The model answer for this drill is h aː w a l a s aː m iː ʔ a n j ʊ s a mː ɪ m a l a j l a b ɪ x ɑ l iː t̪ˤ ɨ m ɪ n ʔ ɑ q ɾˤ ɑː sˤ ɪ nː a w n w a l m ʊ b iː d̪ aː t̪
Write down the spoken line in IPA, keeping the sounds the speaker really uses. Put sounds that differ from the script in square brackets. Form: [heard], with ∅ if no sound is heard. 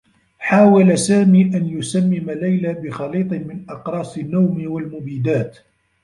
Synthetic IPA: [ħ] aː w a l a s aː m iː ʔ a n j ʊ s a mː ɪ m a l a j l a b ɪ x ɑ l iː t̪ˤ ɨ m ɪ n ʔ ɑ q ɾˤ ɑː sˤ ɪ nː a w [m] w a l m ʊ b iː d̪ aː t̪

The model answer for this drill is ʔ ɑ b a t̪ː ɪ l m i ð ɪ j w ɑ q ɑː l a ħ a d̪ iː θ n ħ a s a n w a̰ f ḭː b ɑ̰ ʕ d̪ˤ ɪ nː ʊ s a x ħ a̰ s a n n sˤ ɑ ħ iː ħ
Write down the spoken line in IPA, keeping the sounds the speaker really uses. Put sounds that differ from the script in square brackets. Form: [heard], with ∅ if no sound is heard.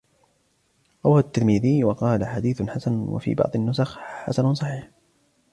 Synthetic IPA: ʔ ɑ [w] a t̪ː ɪ l m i ð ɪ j w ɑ q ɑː l a ħ a d̪ iː θ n ħ a s a n w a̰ f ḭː b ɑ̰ ʕ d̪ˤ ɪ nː ʊ s a x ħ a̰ s a n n sˤ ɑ ħ iː ħ

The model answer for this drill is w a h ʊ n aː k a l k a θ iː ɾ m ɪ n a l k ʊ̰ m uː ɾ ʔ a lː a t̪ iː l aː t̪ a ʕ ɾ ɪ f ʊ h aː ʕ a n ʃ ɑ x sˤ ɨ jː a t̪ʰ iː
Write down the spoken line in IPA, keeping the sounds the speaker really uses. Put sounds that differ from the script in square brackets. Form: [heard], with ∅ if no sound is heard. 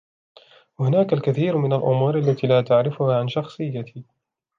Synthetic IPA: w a h ʊ n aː k a l k a θ iː ɾ m ɪ n a l [ʔ] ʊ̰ m uː ɾ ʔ a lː a t̪ iː l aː t̪ a ʕ ɾ ɪ f ʊ h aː ʕ a n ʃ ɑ x sˤ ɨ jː a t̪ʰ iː

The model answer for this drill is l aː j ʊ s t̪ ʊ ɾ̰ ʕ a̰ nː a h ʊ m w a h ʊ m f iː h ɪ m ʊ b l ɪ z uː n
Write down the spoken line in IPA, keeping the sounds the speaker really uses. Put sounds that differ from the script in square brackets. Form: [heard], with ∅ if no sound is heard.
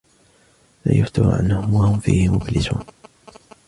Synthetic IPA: l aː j ʊ [f] t̪ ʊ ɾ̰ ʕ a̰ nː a h ʊ m w a h ʊ m f iː h ɪ m ʊ b l ɪ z uː n

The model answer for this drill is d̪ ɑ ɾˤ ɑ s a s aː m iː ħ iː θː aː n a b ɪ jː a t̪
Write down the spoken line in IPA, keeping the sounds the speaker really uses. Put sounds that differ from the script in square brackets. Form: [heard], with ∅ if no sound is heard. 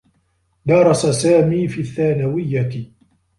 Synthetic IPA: d̪ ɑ ɾˤ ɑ s a s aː m iː [f] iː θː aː n a [w] ɪ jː a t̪

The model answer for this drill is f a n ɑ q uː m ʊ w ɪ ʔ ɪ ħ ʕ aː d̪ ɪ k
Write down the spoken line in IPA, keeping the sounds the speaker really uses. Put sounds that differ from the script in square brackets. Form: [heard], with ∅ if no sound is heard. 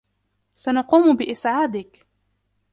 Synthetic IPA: [s] a n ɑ q uː m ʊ [b] ɪ ʔ ɪ [s] ʕ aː d̪ ɪ k

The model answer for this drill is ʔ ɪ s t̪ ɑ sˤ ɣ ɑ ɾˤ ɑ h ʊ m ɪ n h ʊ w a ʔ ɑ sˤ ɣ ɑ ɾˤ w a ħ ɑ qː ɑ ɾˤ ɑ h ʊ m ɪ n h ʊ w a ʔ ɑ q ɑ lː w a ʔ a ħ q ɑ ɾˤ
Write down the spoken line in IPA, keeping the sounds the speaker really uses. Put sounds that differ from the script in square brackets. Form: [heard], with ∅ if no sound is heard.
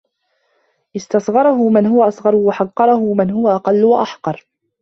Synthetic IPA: ʔ ɪ s t̪ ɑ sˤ ɣ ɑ ɾˤ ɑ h ʊ m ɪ n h ʊ w a ʔ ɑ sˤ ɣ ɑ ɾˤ w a ħ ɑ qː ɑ ɾˤ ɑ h ʊ m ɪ n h ʊ w a ʔ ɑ q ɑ lː w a ʔ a ħ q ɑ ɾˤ

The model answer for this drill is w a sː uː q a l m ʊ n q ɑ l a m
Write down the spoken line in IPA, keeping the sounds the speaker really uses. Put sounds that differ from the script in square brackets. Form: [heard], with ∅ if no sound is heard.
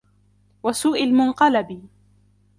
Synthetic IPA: w a [s] uː [ʔ] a l m ʊ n q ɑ l a [b]

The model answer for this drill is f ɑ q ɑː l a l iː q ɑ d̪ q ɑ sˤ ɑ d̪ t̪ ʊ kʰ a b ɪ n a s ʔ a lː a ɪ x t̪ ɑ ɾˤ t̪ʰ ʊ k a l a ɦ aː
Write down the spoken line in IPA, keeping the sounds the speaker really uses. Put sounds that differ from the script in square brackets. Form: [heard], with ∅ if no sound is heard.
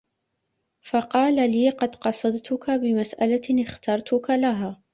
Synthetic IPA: f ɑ q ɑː l a l iː q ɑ d̪ q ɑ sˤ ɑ d̪ t̪ ʊ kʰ a b ɪ [m] a s ʔ a [l] a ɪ x t̪ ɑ ɾˤ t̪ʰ ʊ k a l a ɦ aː

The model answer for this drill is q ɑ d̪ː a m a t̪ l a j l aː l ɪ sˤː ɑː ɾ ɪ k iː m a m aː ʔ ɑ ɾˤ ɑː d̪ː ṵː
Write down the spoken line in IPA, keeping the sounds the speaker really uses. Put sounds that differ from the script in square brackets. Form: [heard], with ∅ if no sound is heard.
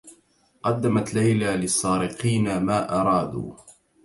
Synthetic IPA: q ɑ d̪ː a m a t̪ l a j l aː l ɪ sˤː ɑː ɾ ɪ [q] iː [n] a m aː ʔ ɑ ɾˤ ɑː [d̪] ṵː

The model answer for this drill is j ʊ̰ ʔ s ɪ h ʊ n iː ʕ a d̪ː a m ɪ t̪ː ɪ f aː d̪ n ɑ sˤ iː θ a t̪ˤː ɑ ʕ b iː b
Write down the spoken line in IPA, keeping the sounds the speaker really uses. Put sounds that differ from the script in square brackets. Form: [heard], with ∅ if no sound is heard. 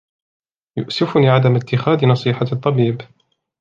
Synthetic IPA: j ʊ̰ ʔ s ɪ [f] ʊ n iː ʕ a [d̪] a m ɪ t̪ː ɪ [x] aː d̪ n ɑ sˤ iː [ħ] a t̪ˤː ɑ [∅] b iː b

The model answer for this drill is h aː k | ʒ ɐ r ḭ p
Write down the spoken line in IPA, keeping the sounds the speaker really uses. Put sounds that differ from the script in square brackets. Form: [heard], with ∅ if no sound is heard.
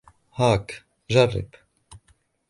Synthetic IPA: h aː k | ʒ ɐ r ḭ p

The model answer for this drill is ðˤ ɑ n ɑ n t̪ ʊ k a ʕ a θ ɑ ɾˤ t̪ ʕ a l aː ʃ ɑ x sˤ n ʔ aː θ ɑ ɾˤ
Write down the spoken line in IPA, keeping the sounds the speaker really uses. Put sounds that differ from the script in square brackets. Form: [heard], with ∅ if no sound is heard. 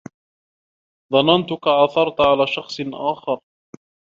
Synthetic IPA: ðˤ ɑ n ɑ n t̪ ʊ k a ʕ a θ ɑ ɾˤ t̪ ʕ a l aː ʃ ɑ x sˤ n ʔ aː [x] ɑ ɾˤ

